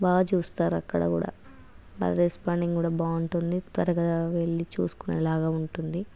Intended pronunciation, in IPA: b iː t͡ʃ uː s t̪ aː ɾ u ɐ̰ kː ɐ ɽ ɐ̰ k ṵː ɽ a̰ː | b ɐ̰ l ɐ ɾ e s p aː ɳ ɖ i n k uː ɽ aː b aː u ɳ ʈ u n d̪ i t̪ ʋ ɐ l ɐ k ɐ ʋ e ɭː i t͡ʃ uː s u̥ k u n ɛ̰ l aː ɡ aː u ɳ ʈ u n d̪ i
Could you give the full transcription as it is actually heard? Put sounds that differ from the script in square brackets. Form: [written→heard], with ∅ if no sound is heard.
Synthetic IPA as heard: b [iː→aː] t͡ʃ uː s t̪ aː ɾ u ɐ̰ kː ɐ ɽ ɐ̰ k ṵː ɽ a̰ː | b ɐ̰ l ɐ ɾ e s p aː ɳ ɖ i [n→ŋ] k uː ɽ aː b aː u ɳ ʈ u n d̪ i t̪ ʋ ɐ [l→ɾ] ɐ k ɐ ʋ e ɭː i t͡ʃ uː s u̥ k u n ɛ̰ l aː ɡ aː u ɳ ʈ u n d̪ i